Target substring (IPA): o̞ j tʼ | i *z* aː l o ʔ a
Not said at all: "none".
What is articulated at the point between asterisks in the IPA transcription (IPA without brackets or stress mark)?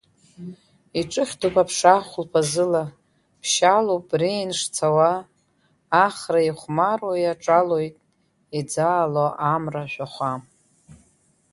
d͡z